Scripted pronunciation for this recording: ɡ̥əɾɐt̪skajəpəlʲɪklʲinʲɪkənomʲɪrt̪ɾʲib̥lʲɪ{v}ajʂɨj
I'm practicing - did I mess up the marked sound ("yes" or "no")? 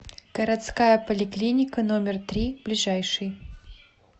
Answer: yes